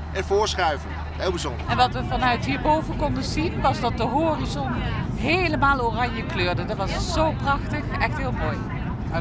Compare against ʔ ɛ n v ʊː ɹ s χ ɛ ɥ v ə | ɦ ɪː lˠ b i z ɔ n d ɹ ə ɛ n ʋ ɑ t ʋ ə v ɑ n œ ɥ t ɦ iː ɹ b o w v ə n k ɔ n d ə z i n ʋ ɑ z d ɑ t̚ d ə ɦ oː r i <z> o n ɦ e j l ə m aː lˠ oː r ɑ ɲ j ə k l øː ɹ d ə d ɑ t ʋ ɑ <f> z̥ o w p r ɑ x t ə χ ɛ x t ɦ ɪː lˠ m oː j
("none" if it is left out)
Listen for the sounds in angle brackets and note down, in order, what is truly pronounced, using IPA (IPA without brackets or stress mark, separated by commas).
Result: z, s